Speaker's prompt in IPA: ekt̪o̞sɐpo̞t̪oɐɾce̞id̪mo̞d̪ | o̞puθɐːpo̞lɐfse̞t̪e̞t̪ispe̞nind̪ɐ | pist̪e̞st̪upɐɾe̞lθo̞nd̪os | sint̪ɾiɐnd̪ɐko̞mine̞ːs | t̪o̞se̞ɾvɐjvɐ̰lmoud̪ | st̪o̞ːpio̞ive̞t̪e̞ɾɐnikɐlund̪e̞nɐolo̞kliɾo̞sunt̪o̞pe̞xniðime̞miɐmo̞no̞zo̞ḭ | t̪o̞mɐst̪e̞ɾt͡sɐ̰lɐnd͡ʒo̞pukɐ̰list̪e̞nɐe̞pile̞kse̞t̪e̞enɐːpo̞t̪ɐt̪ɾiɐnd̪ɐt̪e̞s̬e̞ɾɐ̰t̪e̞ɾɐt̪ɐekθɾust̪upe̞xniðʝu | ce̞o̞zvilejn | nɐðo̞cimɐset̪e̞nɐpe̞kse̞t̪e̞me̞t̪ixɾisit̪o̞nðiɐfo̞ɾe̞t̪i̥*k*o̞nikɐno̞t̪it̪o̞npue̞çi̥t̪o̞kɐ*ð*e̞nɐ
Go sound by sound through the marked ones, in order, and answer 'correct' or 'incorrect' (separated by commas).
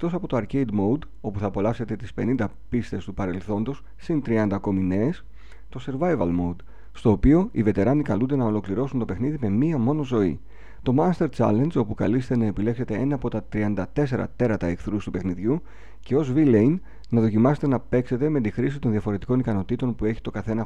correct, incorrect